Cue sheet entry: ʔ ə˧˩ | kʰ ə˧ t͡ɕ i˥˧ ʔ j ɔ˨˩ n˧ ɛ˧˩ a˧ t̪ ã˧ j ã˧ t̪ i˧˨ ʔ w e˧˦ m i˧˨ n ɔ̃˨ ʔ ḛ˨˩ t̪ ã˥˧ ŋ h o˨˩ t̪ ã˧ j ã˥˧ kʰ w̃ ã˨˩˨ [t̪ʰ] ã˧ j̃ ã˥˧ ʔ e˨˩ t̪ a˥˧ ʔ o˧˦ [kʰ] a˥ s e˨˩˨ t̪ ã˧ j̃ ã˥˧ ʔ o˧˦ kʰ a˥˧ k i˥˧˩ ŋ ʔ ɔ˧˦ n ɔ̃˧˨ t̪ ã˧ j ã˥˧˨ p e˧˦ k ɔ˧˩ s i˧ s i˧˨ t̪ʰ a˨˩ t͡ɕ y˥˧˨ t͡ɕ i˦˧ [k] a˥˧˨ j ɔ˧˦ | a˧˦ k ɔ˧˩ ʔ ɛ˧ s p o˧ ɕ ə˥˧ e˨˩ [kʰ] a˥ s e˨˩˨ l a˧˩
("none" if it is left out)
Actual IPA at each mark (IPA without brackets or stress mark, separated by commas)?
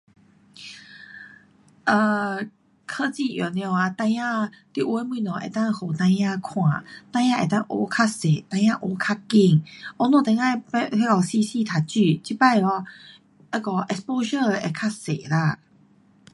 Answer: t̪, kʰ, p, kʰ